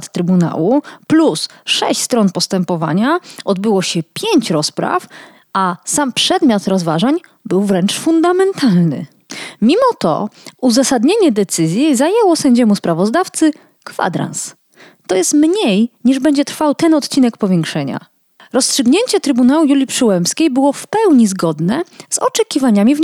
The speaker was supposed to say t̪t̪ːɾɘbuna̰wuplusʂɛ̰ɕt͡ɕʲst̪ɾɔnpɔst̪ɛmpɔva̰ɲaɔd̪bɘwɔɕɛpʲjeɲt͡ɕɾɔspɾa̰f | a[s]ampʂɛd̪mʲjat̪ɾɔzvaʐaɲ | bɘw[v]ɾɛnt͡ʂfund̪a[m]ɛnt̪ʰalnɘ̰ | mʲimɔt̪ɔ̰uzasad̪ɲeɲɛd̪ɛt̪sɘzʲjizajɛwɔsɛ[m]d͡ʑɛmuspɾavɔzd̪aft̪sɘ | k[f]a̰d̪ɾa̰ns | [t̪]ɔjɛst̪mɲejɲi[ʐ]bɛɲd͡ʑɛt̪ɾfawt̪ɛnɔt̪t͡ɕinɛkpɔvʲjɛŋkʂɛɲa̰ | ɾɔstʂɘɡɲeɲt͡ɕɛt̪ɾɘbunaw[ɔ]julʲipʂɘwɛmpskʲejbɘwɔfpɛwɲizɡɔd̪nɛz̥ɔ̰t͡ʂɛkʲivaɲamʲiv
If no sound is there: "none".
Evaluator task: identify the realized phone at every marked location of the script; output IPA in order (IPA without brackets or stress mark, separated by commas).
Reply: s, v, m, ɲ, f, t̪, ʐ, u